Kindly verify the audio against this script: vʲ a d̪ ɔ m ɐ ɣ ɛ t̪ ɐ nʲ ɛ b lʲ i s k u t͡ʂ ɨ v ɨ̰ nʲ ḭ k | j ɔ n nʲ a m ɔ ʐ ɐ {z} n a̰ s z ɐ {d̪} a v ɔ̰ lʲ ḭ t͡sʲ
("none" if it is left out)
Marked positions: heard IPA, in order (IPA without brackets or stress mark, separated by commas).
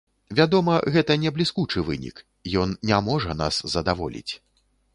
none, d̪